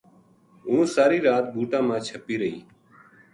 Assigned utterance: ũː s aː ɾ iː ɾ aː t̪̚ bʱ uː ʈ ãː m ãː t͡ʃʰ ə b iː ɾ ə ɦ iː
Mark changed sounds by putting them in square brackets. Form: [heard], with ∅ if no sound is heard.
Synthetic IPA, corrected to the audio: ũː s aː ɾ iː ɾ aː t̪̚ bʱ uː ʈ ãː m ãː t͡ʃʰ ə [p] iː ɾ ə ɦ iː